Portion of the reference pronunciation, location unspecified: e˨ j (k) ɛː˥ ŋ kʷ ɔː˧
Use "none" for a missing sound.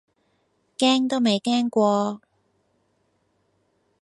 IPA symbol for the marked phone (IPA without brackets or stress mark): k